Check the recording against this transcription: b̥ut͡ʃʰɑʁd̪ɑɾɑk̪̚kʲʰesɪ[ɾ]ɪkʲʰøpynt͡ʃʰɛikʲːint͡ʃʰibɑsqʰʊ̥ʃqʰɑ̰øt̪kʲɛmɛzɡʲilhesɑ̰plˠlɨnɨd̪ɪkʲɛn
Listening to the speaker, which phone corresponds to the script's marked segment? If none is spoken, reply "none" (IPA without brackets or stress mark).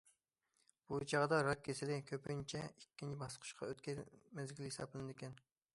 l